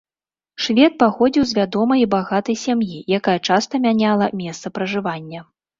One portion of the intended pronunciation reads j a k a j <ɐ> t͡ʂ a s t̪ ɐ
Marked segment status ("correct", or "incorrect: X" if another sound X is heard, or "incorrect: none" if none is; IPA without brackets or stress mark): correct